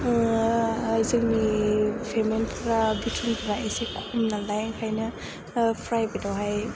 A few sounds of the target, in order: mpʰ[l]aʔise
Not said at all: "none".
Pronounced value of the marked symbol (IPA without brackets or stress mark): ɾ